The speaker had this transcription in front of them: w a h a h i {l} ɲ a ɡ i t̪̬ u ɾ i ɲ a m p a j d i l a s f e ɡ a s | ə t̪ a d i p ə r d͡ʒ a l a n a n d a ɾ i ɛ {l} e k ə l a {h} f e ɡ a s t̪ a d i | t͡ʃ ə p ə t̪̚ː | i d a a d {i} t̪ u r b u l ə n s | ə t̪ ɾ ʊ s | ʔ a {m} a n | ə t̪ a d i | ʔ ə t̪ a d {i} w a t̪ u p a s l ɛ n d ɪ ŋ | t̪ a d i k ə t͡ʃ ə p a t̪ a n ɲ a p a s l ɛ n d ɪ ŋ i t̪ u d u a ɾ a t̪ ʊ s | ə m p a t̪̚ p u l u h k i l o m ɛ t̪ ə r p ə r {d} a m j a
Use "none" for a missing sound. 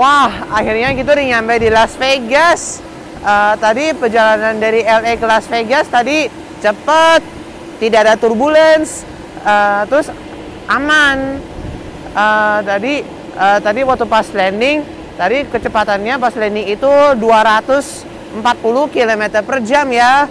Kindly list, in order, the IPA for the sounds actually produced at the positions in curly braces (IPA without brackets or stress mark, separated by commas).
r, l, s, a, m, i, d͡ʒ